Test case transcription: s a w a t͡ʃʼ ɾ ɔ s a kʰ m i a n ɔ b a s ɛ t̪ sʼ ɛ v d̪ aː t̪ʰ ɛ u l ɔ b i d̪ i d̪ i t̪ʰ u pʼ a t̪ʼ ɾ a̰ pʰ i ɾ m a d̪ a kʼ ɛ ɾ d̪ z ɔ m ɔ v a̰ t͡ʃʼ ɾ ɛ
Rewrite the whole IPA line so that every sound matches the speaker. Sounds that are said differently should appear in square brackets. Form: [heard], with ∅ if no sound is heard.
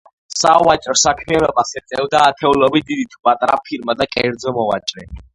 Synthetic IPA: s a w a t͡ʃʼ ɾ ɔ s a kʰ m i a n ɔ b a s ɛ t̪ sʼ ɛ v d̪ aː t̪ʰ ɛ u l ɔ b i d̪ i d̪ i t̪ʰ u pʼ a t̪ʼ ɾ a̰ pʰ i ɾ m a d̪ a kʼ ɛ ɾ d̪ z ɔ m ɔ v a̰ t͡ʃʼ ɾ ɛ